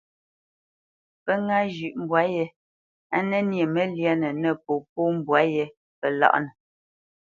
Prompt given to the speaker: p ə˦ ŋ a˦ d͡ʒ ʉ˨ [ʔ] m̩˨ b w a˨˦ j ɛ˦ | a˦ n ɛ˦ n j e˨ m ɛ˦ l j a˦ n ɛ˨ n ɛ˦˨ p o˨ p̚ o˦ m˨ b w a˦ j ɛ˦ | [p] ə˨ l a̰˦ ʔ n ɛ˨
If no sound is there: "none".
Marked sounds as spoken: ʔ, p

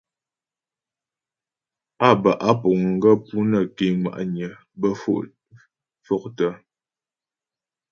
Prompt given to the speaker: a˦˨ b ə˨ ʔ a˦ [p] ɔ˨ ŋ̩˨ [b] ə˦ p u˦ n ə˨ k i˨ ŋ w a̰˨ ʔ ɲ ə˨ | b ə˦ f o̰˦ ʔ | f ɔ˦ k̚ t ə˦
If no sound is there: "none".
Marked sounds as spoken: p, ɡ

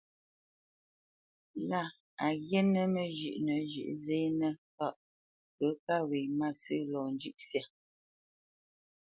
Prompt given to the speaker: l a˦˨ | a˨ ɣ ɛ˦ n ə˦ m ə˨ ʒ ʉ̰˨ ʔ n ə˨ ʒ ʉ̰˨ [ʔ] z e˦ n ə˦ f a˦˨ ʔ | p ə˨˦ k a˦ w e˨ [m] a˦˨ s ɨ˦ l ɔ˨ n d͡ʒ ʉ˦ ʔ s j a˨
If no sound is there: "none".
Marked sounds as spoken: ʔ, m

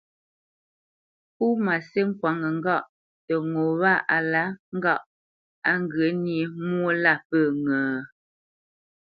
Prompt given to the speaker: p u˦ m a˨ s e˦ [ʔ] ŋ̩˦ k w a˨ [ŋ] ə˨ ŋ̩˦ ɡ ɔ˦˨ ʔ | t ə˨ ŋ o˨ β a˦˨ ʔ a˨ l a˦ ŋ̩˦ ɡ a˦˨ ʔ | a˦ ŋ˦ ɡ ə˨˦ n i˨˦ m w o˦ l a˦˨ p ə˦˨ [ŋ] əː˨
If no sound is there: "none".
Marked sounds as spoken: none, ŋ, ŋ

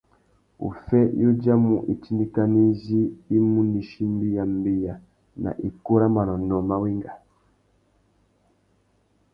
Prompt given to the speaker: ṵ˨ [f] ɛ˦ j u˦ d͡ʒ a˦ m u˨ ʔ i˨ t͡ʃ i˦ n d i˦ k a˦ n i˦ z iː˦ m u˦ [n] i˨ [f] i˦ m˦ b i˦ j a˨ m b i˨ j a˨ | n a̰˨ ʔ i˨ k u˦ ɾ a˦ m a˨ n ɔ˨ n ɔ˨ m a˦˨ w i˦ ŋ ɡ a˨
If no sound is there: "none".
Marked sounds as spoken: f, n, ʃ

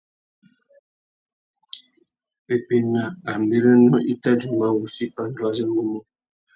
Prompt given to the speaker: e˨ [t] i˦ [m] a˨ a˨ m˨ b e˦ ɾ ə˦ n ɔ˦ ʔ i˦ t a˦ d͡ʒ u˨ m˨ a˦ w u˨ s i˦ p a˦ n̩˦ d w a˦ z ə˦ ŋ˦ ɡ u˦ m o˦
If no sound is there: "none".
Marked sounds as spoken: p, n

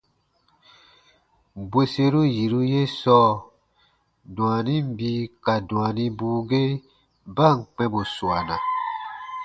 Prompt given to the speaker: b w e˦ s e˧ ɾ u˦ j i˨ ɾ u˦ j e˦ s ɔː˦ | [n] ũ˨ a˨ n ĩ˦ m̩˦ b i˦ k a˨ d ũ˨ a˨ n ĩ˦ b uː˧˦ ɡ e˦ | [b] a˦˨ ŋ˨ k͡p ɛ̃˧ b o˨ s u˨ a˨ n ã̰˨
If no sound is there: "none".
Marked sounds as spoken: d, b

